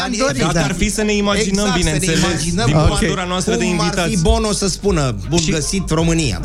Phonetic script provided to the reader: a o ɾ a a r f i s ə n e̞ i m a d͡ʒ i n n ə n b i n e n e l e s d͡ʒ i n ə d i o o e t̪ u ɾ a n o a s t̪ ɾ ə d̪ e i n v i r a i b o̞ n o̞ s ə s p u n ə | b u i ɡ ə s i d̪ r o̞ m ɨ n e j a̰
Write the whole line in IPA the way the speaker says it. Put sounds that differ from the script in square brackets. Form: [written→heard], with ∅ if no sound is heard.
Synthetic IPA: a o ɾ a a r f i s ə n e̞ i m a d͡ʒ i n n ə [n→m] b i n e n e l e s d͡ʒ i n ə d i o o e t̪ u ɾ a n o a s t̪ ɾ ə d̪ e i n v i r a i b o̞ n o̞ s ə s p u n ə | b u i ɡ ə s i [d̪→t̪] r o̞ m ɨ n [e→i] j a̰